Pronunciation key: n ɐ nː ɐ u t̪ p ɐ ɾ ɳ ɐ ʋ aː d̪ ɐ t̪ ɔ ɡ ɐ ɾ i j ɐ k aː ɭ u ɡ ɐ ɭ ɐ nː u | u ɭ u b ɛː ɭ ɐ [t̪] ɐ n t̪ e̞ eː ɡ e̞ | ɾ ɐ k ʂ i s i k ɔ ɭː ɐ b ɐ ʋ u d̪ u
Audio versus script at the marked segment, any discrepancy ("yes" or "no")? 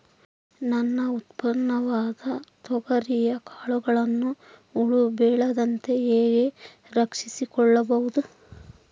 yes